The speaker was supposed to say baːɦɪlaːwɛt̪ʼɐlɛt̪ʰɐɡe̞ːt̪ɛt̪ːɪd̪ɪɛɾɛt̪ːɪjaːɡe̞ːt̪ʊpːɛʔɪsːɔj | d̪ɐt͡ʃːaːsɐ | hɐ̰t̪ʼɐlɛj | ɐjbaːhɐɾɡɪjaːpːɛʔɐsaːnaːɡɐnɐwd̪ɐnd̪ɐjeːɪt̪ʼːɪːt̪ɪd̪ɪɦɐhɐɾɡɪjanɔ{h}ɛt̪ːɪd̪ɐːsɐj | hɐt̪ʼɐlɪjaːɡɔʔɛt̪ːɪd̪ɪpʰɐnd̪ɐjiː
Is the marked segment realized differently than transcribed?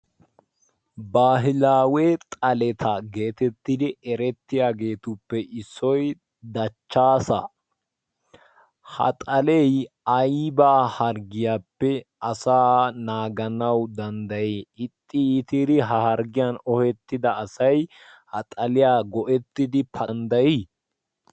no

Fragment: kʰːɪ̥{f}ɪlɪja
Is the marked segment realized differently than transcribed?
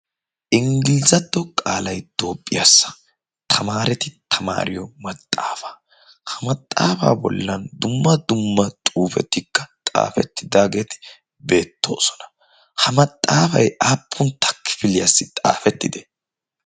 no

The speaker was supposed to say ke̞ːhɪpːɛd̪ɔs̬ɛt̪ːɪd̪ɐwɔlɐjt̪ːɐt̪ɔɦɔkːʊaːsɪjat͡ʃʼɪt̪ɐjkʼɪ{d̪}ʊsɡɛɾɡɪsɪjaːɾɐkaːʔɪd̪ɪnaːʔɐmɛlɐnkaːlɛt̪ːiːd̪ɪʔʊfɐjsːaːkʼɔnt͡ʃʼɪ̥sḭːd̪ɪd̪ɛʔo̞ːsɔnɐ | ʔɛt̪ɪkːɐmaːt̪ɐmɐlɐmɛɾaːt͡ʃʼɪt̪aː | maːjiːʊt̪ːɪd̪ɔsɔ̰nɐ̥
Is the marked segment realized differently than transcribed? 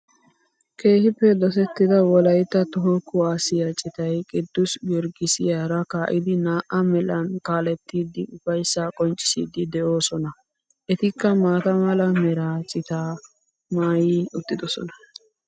yes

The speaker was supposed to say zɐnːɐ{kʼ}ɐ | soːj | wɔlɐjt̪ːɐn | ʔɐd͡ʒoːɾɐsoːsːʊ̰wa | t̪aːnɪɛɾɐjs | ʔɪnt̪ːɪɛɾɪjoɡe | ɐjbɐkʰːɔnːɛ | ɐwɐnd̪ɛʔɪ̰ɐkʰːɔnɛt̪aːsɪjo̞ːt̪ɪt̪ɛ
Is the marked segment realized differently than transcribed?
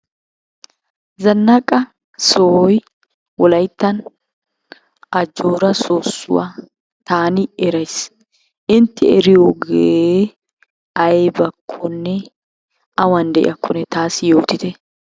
no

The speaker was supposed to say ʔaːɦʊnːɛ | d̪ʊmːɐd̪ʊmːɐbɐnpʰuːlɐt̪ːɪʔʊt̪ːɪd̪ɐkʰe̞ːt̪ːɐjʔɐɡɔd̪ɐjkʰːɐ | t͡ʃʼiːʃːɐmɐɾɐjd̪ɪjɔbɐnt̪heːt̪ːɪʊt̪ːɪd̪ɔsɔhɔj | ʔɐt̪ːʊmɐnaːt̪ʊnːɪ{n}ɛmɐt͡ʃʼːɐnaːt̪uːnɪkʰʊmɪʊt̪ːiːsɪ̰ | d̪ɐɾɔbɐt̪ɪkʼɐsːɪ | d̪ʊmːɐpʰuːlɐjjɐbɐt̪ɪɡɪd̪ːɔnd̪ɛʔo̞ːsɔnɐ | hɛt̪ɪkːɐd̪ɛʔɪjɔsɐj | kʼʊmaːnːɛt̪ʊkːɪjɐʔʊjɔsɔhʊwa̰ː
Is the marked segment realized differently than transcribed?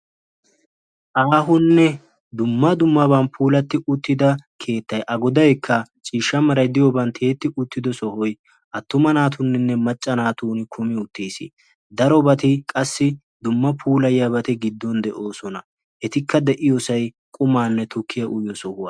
yes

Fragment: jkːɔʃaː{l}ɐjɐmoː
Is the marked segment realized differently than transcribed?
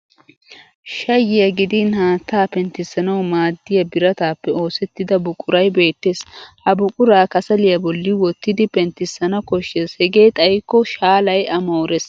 no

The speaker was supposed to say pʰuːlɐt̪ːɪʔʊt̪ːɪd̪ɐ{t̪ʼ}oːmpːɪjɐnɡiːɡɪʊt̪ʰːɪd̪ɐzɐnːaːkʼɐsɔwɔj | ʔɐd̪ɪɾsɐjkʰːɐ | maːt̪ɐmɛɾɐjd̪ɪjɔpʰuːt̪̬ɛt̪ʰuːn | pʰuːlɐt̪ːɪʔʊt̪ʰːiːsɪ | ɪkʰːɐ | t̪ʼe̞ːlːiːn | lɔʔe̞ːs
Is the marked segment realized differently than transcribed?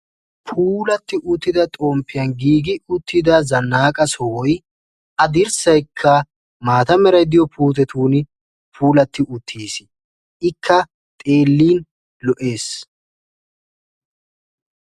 no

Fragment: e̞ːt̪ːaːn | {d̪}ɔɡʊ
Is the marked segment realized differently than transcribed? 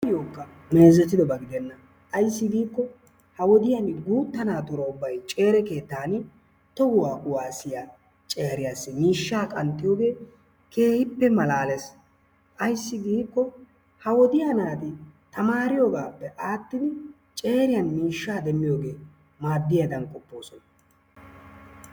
yes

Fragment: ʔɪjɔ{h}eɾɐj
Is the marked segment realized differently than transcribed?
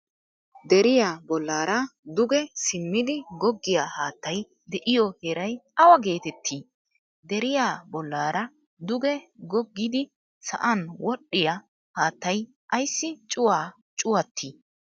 no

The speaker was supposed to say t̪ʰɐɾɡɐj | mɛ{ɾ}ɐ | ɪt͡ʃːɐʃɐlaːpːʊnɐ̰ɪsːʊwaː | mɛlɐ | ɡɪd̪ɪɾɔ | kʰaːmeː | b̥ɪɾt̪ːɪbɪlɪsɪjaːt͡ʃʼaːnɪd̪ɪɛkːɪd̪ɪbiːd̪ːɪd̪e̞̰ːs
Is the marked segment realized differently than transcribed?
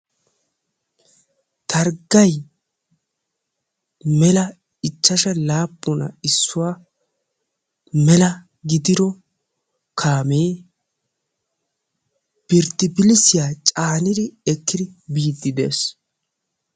yes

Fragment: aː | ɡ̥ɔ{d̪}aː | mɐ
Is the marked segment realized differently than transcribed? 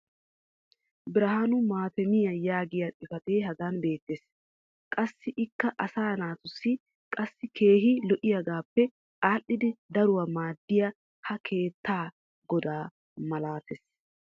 no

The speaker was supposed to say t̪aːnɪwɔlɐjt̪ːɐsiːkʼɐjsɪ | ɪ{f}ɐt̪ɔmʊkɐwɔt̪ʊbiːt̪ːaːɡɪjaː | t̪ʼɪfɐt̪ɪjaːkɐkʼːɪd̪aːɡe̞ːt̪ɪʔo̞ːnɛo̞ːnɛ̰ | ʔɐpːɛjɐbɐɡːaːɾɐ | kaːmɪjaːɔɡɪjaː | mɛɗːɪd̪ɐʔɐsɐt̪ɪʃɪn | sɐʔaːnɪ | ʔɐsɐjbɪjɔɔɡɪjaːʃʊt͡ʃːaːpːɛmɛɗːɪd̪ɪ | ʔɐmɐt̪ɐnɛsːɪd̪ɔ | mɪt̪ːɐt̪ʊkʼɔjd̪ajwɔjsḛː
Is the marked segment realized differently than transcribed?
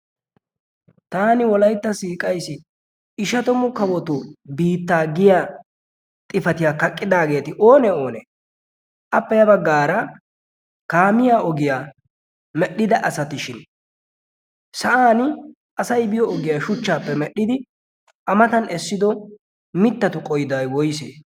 yes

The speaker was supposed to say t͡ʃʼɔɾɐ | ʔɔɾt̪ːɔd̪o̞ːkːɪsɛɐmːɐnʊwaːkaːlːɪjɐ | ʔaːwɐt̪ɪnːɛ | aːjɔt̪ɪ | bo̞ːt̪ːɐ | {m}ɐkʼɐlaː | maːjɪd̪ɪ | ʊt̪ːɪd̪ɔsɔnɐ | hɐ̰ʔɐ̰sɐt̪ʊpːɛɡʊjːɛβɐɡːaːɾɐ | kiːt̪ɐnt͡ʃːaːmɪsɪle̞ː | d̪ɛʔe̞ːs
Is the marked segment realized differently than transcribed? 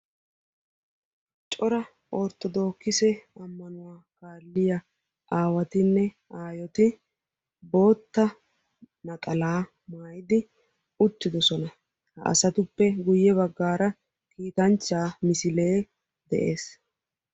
yes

